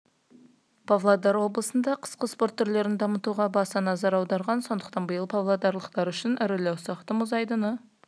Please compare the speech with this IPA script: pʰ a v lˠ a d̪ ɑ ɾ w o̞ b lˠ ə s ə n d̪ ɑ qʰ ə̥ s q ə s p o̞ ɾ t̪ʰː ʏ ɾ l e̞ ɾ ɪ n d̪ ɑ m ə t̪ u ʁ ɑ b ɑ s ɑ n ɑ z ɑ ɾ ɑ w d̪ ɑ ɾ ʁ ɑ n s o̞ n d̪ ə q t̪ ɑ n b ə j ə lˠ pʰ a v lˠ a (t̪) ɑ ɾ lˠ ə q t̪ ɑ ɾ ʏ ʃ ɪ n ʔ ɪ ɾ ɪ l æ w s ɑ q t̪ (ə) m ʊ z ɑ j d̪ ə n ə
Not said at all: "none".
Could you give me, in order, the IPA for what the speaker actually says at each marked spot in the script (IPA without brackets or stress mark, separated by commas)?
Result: d̪, ə